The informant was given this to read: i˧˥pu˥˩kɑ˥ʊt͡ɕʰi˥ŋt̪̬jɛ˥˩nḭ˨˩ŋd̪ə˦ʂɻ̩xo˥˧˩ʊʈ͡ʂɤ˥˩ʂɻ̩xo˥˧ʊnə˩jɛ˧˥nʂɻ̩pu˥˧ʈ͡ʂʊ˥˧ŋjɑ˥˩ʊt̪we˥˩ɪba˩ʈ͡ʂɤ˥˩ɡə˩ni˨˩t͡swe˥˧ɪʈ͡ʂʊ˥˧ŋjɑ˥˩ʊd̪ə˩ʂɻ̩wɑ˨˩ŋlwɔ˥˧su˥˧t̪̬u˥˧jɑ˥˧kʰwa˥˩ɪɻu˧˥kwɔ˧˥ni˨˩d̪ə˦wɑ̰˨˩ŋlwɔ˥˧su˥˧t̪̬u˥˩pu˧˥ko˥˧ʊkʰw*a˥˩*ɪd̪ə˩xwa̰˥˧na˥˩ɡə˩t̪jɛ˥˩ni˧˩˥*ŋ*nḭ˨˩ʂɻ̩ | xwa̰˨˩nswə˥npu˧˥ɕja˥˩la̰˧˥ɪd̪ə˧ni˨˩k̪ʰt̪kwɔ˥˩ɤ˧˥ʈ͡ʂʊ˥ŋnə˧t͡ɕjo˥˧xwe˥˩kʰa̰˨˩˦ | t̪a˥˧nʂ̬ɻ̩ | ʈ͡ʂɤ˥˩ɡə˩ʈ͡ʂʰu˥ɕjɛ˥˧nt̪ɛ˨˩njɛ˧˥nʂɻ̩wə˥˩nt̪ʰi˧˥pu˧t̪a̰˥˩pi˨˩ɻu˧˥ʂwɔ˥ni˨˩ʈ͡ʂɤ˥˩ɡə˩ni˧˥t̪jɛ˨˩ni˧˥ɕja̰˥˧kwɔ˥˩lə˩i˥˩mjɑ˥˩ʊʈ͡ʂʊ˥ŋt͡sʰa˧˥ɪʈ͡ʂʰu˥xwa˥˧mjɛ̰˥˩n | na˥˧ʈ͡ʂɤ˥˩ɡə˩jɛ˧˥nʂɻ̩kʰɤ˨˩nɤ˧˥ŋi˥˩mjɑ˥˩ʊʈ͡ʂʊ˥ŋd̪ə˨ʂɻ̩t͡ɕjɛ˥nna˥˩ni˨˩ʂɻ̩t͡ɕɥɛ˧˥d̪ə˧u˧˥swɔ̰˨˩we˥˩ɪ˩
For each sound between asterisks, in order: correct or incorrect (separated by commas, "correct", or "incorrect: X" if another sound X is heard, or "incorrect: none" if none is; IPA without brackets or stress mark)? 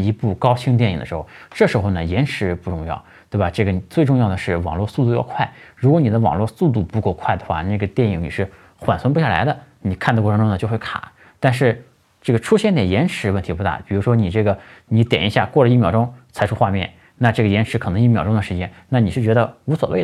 correct, correct